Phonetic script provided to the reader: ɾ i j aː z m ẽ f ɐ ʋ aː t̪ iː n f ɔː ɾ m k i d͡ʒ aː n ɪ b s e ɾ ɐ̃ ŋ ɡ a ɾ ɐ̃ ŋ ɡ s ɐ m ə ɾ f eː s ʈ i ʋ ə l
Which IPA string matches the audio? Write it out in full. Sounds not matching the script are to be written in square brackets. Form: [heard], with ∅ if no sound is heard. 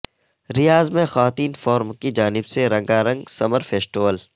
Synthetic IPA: ɾ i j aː z m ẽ [x] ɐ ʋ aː t̪ iː n f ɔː ɾ m k i d͡ʒ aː n ɪ b s e ɾ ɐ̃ ŋ ɡ a ɾ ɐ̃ ŋ ɡ s ɐ m ə ɾ f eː s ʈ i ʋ ə l